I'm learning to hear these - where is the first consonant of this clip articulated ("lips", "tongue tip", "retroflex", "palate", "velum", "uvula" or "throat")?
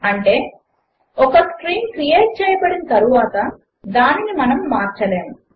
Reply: retroflex